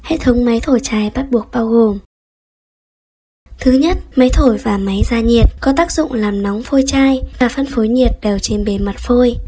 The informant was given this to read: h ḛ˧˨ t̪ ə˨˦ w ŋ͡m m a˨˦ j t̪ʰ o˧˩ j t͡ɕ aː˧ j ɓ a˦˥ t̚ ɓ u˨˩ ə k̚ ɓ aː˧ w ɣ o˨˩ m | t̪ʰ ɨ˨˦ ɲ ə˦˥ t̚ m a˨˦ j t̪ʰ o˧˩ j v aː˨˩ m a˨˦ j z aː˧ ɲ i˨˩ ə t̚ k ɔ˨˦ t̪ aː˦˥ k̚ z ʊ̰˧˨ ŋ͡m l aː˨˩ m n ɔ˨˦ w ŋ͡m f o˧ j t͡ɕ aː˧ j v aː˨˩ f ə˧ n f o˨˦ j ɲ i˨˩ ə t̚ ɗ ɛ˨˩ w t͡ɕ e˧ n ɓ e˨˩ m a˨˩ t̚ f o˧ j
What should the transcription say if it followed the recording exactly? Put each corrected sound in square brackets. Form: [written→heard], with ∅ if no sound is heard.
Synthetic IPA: h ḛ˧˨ [t̪→t̪ʰ] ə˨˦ w ŋ͡m m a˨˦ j t̪ʰ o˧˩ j t͡ɕ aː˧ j ɓ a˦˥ t̚ ɓ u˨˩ ə k̚ ɓ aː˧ w ɣ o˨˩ m | t̪ʰ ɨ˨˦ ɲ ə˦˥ t̚ m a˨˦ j t̪ʰ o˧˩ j v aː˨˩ m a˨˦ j z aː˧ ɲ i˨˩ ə t̚ k ɔ˨˦ t̪ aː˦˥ k̚ z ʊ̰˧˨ ŋ͡m l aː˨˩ m n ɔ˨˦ w ŋ͡m f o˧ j t͡ɕ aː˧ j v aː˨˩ f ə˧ n f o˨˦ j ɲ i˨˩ ə t̚ ɗ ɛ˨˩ w t͡ɕ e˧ n ɓ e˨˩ m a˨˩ t̚ f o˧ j

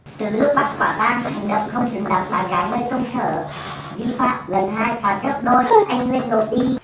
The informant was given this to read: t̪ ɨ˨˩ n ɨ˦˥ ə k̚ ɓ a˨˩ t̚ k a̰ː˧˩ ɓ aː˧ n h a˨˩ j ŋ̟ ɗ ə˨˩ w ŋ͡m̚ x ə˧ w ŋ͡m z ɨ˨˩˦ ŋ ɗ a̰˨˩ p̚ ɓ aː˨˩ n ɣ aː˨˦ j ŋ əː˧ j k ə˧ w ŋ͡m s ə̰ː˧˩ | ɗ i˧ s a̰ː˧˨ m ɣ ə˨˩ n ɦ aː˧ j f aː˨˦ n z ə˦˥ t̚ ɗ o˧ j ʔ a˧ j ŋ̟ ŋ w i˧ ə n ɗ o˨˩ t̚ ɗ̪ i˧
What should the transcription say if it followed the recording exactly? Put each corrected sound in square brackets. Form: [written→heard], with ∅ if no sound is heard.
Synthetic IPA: t̪ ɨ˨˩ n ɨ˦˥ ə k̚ ɓ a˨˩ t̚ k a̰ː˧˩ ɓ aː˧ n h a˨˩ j ŋ̟ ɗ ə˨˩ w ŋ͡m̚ x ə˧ w ŋ͡m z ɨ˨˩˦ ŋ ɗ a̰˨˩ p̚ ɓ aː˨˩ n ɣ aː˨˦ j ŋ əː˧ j k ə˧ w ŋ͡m s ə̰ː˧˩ | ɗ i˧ [s→f] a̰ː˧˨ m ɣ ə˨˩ n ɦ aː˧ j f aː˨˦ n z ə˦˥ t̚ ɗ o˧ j ʔ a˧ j ŋ̟ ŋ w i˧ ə n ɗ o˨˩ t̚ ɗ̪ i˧

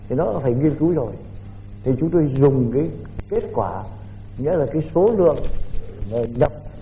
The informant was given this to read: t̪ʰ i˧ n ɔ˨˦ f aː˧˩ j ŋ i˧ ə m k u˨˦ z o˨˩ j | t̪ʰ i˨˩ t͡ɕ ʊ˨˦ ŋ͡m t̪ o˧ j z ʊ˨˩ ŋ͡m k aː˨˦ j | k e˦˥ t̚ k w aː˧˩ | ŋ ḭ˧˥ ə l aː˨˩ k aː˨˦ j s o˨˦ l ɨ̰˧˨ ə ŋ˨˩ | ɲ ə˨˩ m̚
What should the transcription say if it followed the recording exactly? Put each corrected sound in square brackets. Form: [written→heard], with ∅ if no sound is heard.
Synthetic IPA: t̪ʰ [i˧→i˨˩] n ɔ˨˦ f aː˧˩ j ŋ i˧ ə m k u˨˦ z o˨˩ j | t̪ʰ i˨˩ t͡ɕ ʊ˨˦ ŋ͡m t̪ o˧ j z ʊ˨˩ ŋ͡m k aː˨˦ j | k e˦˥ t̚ k w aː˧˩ | ŋ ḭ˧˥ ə l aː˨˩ k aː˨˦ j s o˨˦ l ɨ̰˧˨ ə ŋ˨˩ | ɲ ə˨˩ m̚

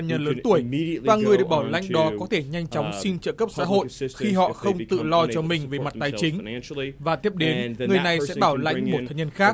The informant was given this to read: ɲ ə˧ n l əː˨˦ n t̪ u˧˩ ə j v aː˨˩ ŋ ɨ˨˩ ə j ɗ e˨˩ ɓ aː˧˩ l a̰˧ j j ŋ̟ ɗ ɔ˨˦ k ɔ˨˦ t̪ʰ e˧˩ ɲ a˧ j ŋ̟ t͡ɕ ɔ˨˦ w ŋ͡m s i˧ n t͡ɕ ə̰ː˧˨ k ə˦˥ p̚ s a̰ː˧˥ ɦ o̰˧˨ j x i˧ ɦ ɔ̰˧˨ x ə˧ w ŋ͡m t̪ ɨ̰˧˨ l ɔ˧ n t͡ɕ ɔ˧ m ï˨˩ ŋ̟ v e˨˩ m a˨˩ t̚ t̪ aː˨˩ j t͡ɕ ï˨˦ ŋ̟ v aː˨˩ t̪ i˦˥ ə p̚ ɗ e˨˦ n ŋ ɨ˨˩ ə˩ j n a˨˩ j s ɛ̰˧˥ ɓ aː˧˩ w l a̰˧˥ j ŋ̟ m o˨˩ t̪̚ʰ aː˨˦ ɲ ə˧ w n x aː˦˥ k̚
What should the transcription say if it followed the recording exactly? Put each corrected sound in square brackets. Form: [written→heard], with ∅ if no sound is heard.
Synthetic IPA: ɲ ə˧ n l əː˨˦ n t̪ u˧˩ ə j v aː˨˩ ŋ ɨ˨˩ ə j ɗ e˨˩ ɓ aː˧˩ l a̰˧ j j ŋ̟ ɗ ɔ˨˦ k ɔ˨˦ t̪ʰ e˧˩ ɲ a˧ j ŋ̟ t͡ɕ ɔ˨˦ w ŋ͡m s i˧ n t͡ɕ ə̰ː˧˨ k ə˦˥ p̚ s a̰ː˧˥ ɦ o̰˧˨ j x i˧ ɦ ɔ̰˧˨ x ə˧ w ŋ͡m t̪ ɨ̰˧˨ l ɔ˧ [n→∅] t͡ɕ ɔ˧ m ï˨˩ ŋ̟ v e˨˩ m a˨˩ t̚ t̪ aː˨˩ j t͡ɕ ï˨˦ ŋ̟ v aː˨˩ t̪ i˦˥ ə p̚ ɗ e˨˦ n ŋ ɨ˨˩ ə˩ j n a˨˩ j s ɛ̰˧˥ ɓ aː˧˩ w l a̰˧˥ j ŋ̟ m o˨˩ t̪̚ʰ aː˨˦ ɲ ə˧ [w→∅] n x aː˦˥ k̚

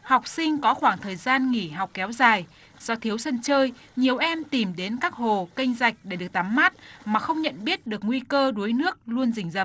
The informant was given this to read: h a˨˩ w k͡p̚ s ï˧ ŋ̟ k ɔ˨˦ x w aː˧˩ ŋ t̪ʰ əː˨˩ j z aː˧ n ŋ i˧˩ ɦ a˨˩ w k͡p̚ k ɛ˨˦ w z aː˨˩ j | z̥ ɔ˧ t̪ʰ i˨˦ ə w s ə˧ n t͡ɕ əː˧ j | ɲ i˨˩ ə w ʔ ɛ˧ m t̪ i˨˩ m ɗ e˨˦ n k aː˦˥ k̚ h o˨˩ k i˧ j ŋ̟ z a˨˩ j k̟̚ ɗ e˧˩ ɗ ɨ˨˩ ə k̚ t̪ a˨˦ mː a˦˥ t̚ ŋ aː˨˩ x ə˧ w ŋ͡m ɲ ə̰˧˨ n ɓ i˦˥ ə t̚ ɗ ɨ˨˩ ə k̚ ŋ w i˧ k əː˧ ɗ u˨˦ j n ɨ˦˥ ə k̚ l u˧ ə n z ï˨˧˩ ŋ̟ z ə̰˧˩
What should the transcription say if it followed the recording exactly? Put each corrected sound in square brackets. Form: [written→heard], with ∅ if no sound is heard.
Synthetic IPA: h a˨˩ w k͡p̚ s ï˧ ŋ̟ k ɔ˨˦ x w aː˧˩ ŋ t̪ʰ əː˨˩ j z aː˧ n ŋ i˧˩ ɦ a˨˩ w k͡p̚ k ɛ˨˦ w z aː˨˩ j | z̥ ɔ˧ t̪ʰ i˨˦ ə w s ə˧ n t͡ɕ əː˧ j | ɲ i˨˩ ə w ʔ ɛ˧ m t̪ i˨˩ m ɗ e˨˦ n k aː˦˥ k̚ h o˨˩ k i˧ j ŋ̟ z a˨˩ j k̟̚ ɗ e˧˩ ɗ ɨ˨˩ ə k̚ t̪ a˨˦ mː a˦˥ t̚ [ŋ→m] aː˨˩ x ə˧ w ŋ͡m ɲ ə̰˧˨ n ɓ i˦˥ ə t̚ ɗ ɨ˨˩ ə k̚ ŋ w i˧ k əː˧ ɗ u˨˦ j n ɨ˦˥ ə k̚ l u˧ ə n z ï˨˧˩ ŋ̟ z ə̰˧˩

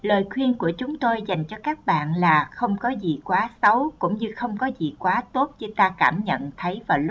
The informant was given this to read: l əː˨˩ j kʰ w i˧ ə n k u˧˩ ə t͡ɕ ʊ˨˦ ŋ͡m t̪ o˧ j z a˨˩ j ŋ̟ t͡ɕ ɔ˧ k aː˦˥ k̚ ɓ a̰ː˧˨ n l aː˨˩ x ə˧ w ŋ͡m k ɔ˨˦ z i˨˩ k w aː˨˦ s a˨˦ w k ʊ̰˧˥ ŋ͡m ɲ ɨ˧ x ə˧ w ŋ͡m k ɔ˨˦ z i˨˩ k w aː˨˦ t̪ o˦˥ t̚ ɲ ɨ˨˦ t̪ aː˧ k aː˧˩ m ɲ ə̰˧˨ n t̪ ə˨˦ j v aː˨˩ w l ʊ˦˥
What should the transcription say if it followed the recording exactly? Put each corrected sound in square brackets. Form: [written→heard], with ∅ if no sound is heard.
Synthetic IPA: l əː˨˩ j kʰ w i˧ ə n k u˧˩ ə t͡ɕ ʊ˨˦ ŋ͡m t̪ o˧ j z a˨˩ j ŋ̟ t͡ɕ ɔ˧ k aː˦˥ k̚ ɓ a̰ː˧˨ n l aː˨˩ x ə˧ w ŋ͡m k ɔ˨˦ z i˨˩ k w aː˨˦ s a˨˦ w k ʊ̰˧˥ ŋ͡m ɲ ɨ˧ x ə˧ w ŋ͡m k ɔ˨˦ z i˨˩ k w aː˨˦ t̪ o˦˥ t̚ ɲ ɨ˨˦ t̪ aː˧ k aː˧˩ m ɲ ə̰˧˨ n [t̪→t̪ʰ] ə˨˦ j v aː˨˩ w l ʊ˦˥

